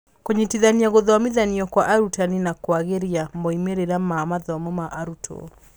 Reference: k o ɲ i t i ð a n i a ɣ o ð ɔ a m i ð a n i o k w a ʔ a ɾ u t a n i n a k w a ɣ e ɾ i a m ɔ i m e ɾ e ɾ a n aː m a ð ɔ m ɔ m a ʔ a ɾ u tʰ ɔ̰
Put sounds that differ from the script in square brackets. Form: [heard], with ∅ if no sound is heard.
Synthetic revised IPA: k o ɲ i t i ð a n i a ɣ o ð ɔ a m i ð a n i [ɔ] k w a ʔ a ɾ u t a n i n a k w a ɣ e ɾ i a m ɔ i m e ɾ e ɾ a [m] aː m a ð ɔ m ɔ m a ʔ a ɾ u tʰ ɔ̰